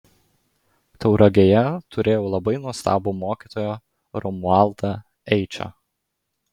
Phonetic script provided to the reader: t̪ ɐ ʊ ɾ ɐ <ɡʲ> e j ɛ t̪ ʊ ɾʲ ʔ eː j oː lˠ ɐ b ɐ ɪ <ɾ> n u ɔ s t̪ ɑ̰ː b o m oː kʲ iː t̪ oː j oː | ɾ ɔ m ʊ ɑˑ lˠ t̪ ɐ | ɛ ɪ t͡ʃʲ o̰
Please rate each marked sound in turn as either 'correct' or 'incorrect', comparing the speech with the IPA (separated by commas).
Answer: correct, incorrect